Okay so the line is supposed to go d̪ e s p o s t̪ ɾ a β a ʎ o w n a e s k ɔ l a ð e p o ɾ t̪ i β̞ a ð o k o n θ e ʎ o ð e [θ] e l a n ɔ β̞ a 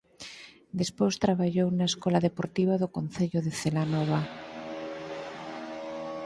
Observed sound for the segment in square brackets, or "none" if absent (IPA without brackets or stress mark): θ